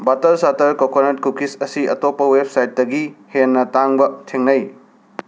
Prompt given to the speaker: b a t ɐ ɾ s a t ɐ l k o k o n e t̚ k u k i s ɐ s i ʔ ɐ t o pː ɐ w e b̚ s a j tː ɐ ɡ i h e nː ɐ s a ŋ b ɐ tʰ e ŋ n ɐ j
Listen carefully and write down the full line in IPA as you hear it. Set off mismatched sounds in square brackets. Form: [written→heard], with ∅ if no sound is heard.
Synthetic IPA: b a t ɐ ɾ s a t ɐ [l→ɾ] k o k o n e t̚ k u k i s ɐ s i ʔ ɐ t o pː ɐ w e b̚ s a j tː ɐ ɡ i h e nː ɐ [s→t] a ŋ b ɐ tʰ e ŋ n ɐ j